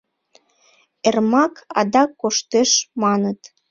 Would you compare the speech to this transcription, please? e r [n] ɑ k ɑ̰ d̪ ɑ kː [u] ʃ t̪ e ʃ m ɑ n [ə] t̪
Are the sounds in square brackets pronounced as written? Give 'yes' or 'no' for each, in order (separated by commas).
no, no, yes